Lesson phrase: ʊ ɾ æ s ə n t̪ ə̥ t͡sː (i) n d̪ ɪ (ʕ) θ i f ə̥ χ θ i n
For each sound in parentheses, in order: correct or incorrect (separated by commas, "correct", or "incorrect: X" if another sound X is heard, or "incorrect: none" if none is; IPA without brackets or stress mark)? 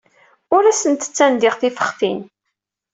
incorrect: æ, incorrect: ʁ